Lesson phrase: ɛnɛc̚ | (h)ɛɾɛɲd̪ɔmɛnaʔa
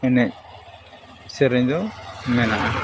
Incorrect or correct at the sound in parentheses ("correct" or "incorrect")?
incorrect